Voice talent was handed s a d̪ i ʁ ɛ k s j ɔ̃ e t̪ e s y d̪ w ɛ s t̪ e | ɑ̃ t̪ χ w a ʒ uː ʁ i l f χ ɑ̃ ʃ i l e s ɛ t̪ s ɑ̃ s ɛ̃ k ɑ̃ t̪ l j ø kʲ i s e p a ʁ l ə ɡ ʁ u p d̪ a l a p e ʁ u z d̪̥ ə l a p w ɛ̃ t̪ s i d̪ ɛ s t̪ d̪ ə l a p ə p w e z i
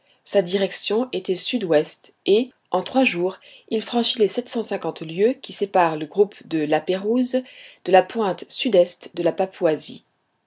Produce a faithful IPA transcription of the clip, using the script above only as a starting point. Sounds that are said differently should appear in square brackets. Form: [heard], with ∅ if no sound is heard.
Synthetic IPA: s a d̪ i ʁ ɛ k s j ɔ̃ e t̪ [ɛ] s y d̪ w ɛ s t̪ e | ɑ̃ t̪ χ w a ʒ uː ʁ i l f χ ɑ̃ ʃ i l e s ɛ t̪ s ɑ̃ s ɛ̃ k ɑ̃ t̪ l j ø kʲ i s e p a ʁ l ə ɡ ʁ u p d̪ [ə] l a p e ʁ u z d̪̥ ə l a p w ɛ̃ t̪ s [y] d̪ ɛ s t̪ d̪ ə l a p [a] p w [a] z i